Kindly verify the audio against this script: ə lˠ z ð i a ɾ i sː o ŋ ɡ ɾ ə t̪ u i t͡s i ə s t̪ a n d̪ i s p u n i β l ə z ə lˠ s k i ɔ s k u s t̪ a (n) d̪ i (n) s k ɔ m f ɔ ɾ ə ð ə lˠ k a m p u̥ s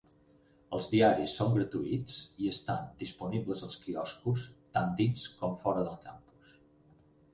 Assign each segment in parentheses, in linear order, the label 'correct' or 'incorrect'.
correct, correct

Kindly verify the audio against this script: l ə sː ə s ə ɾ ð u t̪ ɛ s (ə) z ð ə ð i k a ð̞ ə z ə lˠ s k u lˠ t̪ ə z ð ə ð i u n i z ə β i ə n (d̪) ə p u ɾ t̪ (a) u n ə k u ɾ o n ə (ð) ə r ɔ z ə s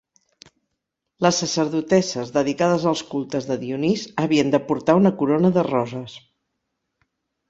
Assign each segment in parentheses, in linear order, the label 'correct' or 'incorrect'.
correct, correct, correct, correct

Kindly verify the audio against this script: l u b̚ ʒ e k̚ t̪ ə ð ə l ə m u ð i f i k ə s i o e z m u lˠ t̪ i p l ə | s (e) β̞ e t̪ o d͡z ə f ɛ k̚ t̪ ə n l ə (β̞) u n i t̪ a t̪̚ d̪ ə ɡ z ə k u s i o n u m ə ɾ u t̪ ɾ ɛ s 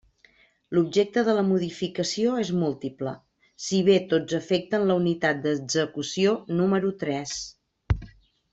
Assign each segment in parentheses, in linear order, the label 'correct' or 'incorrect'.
incorrect, incorrect

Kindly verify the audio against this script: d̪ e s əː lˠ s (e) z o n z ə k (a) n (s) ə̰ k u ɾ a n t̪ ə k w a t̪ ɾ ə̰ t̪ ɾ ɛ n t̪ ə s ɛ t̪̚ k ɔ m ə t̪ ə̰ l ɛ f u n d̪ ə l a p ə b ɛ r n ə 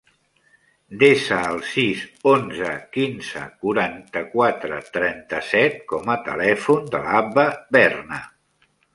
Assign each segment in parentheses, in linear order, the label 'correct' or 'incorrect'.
incorrect, incorrect, incorrect

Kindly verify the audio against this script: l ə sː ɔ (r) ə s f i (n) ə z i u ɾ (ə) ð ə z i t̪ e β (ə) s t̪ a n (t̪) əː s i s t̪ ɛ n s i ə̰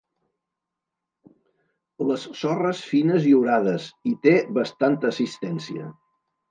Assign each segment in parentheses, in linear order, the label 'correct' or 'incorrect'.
correct, correct, incorrect, correct, correct

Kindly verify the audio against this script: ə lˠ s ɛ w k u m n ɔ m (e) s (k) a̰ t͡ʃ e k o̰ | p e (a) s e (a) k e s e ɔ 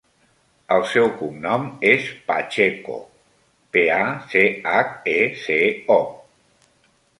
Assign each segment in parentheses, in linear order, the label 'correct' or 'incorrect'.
correct, incorrect, correct, correct

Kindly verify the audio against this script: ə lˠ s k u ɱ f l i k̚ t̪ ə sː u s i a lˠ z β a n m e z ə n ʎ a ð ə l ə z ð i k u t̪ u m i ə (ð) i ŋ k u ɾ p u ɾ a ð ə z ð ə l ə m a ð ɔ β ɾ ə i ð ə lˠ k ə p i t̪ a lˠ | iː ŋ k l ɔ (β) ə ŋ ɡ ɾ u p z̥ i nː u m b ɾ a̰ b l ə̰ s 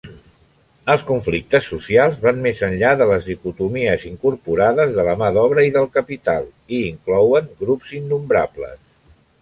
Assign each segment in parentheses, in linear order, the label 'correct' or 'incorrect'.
incorrect, incorrect

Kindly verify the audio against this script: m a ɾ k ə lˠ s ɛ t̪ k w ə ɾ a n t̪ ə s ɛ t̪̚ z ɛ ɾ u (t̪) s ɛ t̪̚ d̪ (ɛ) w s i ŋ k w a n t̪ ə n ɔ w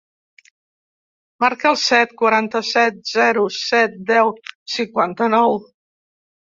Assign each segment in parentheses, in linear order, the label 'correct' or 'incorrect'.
incorrect, correct

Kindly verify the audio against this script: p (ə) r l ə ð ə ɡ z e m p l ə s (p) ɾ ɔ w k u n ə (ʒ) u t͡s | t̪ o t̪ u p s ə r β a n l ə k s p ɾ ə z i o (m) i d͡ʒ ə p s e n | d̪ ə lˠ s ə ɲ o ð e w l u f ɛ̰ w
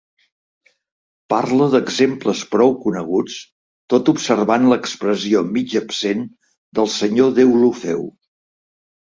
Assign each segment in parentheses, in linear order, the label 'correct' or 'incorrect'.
incorrect, correct, incorrect, correct

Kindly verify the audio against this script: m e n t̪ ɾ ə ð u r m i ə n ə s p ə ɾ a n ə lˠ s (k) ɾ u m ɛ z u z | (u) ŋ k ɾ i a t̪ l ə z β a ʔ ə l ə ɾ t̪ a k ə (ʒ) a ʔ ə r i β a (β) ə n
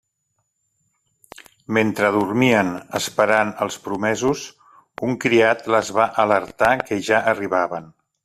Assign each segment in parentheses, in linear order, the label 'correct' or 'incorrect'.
incorrect, correct, correct, correct

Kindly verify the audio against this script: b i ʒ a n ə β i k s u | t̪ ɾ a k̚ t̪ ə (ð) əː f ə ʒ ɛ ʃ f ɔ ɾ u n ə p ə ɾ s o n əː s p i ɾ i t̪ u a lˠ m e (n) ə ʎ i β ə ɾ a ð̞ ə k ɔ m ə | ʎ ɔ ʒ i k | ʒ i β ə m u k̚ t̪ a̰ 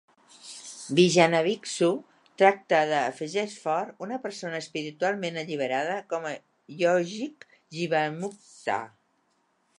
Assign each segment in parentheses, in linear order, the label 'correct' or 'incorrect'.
correct, correct

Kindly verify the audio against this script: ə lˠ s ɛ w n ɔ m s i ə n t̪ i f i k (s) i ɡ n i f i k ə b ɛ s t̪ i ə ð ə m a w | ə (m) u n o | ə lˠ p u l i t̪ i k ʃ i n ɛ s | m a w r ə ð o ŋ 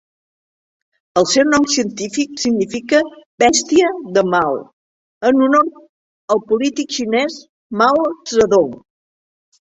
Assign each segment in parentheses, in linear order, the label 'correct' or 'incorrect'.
correct, incorrect

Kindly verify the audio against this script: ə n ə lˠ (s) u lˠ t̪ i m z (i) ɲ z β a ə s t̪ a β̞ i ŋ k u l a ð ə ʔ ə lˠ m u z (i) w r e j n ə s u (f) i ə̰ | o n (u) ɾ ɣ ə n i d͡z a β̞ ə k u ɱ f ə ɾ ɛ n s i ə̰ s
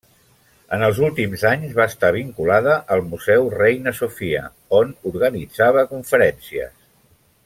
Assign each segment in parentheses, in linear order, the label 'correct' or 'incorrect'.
incorrect, incorrect, incorrect, correct, correct

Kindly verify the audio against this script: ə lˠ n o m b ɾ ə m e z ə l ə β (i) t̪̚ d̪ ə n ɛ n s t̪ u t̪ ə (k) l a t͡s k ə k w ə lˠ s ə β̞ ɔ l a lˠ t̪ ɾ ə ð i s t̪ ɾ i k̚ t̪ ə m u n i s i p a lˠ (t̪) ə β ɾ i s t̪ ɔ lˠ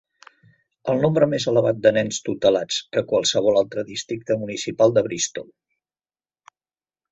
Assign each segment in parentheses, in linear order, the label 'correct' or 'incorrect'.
incorrect, incorrect, incorrect

